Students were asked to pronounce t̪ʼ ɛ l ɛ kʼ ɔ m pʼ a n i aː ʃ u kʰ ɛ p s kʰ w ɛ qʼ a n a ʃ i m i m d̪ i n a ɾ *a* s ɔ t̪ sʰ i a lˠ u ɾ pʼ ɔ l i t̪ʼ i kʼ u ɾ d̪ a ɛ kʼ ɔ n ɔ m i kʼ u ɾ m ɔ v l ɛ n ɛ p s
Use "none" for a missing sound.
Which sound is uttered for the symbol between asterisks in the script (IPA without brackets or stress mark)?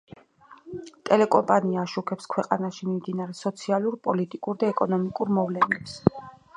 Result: ɛ